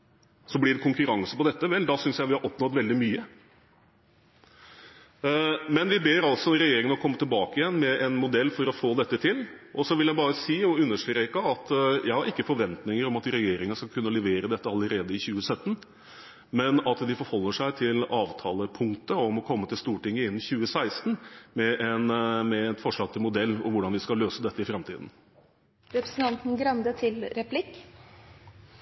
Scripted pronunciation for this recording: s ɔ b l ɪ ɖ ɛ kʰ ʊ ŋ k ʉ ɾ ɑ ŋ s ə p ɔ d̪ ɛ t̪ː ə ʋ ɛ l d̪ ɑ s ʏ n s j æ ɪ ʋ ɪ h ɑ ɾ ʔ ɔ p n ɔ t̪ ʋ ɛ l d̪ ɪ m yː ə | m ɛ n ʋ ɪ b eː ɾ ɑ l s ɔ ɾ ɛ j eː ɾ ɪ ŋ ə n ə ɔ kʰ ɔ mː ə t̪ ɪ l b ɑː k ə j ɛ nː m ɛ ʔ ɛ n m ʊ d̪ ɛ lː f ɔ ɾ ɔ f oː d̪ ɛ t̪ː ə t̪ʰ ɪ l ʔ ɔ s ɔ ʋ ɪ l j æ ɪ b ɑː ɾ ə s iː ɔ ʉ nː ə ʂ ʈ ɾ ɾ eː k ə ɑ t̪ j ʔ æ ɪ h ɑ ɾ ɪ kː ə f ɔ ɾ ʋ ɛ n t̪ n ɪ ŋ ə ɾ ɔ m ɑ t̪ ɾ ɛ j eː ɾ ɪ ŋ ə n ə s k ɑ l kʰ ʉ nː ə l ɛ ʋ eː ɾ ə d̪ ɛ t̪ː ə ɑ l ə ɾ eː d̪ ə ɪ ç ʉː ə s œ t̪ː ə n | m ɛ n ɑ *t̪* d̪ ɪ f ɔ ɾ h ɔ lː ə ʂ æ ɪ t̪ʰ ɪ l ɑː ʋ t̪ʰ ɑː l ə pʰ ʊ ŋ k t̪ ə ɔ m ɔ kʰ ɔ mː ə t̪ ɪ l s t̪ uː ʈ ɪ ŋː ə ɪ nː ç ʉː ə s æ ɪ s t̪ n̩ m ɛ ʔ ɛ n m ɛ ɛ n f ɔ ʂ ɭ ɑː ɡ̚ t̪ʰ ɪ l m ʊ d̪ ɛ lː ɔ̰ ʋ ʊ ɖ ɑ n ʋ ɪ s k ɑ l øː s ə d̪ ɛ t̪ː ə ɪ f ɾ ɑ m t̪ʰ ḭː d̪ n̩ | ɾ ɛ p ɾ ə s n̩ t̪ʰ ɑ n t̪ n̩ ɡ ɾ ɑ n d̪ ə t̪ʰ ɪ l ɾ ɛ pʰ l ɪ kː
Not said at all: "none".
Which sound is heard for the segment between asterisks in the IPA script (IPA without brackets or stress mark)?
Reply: t̪